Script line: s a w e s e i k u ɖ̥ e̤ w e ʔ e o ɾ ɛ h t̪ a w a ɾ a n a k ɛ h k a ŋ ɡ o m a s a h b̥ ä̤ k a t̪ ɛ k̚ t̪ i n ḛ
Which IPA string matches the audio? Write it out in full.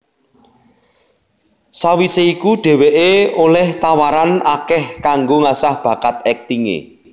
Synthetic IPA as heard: s a w i s e i k u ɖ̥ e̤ w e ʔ e o l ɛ h t̪ a w a ɾ a n a k ɛ h k a ŋ ɡ o ŋ a s a h b̥ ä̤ k a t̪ ɛ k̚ t̪ i ŋ ḛ